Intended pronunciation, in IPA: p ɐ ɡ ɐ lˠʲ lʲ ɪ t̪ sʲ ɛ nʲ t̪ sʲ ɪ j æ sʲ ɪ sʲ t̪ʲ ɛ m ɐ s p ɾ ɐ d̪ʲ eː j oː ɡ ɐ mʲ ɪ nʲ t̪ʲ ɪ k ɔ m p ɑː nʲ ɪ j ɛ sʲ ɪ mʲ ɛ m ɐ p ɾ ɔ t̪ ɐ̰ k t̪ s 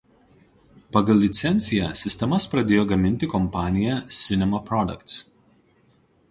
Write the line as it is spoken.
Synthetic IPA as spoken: p ɐ ɡ ɐ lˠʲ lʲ ɪ t̪ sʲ ɛ nʲ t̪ sʲ ɪ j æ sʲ ɪ sʲ t̪ʲ ɛ m ɐ s p ɾ ɐ d̪ʲ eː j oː ɡ ɐ mʲ ɪ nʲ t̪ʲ ɪ k ɔ m p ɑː nʲ ɪ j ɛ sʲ ɪ nʲ ɛ m ɐ p ɾ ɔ d̪ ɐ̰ k t̪ s